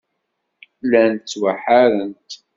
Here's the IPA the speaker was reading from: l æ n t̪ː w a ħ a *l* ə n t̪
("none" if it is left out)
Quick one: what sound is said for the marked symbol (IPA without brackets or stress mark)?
ɾ